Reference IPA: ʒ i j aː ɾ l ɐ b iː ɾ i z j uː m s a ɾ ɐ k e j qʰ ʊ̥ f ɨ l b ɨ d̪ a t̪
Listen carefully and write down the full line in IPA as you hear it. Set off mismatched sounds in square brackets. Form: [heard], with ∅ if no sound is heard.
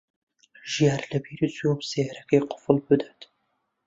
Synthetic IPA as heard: ʒ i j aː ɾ l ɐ b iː ɾ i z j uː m s [e] ɾ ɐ k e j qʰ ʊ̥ f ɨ l b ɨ d̪ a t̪

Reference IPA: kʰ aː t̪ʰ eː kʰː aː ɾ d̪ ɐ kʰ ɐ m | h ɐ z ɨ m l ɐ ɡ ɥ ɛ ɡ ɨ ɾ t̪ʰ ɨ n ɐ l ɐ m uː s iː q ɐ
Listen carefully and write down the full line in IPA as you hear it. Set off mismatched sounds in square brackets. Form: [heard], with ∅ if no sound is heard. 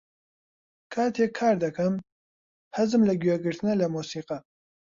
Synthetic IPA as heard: kʰ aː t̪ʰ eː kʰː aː ɾ d̪ ɐ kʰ ɐ m | h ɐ z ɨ m l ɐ ɡ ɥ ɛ ɡ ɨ ɾ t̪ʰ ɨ n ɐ l ɐ m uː s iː q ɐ

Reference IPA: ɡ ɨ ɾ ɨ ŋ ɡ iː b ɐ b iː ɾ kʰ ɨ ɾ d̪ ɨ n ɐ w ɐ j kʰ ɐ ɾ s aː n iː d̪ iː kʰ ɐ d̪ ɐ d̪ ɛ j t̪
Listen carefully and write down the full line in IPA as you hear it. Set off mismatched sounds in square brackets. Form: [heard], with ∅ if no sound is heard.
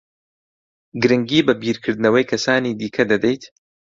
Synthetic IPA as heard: ɡ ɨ ɾ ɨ ŋ ɡ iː b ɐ b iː ɾ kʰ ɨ ɾ d̪ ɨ n ɐ w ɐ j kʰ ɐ [∅] s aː n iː d̪ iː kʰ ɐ d̪ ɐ d̪ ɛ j t̪

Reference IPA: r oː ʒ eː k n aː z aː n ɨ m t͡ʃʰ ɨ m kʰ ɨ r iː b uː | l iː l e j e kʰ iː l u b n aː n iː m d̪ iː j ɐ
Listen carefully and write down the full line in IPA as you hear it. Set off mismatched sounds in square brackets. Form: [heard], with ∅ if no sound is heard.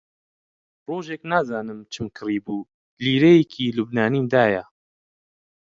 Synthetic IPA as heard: r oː ʒ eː k n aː z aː n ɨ m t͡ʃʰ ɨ m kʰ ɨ r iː b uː | l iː [ɾ] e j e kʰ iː l u b n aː n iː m d̪ [aː] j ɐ

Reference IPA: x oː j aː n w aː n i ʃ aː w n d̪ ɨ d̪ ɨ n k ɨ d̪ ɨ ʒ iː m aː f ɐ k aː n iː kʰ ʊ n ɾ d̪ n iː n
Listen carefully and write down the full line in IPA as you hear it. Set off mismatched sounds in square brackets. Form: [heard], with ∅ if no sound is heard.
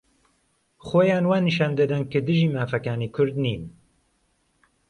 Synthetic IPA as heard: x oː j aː n w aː n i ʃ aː [∅] n d̪ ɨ d̪ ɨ n k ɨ d̪ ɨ ʒ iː m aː f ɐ k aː n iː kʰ ʊ [∅] ɾ d̪ n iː n

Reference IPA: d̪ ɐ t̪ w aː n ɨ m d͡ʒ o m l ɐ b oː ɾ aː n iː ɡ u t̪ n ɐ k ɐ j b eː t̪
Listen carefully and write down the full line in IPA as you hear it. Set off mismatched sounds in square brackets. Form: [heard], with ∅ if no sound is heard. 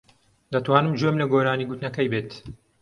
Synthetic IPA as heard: d̪ ɐ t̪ w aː n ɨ m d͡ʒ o m l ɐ [ɡ] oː ɾ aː n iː ɡ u t̪ n ɐ k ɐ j b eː t̪

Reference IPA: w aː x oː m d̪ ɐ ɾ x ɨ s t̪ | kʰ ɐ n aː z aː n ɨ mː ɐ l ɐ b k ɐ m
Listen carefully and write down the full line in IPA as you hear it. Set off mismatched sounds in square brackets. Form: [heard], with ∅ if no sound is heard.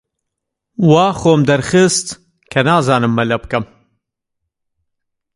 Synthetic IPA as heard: w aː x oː m d̪ ɐ ɾ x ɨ s t̪ | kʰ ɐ n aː z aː n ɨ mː ɐ l ɐ b k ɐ m

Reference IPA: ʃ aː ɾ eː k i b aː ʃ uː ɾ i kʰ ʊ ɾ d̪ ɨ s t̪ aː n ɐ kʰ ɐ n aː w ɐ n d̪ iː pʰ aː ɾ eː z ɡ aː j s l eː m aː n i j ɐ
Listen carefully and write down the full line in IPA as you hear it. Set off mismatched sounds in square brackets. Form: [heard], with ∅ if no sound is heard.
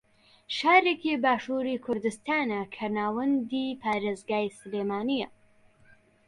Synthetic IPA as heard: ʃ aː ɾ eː k i b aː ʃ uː ɾ i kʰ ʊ ɾ d̪ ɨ s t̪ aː n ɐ kʰ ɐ n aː w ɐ n d̪ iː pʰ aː ɾ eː z ɡ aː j s l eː m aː n i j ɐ

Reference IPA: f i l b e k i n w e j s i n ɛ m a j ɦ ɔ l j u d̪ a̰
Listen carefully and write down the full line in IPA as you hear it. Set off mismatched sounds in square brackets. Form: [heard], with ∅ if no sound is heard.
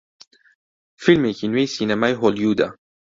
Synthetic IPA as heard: f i l [m] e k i n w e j s i n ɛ m a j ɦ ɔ l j u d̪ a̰

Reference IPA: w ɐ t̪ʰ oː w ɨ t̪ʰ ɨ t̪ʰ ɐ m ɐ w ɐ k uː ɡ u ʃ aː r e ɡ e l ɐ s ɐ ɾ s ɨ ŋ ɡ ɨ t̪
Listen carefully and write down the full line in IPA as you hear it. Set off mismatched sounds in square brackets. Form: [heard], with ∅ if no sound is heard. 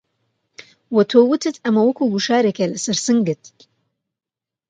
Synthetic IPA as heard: w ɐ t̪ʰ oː w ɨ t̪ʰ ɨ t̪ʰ ɐ m ɐ w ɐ k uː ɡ u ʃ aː [ɾ] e [k] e l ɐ s ɐ ɾ s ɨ ŋ ɡ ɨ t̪

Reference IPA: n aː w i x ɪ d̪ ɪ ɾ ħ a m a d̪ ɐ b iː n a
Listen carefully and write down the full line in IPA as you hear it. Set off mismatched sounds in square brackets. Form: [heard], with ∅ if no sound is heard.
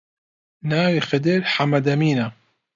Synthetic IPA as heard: n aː w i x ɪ d̪ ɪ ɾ ħ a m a d̪ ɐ [m] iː n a

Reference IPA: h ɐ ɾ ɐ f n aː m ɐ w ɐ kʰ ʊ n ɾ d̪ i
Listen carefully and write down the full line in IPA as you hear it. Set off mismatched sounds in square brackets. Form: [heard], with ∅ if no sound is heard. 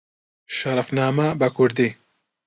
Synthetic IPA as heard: [ʃ] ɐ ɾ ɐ f n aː m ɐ [b] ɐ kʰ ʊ [∅] ɾ d̪ i

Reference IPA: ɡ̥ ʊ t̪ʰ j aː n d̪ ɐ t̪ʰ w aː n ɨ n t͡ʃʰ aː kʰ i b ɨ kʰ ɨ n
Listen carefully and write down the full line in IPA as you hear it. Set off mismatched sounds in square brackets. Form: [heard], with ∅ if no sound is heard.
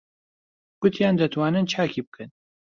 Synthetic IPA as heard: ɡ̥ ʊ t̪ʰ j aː n d̪ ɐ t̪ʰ w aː n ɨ n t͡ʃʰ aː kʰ i b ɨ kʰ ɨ n

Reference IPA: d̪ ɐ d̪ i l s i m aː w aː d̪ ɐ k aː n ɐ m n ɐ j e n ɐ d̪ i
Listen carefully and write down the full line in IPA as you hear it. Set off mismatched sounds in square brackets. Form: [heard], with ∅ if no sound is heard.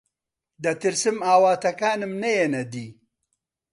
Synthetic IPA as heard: d̪ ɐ [t̪] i [ɾ] s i m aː w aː [t̪] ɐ k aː n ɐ m n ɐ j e n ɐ d̪ i

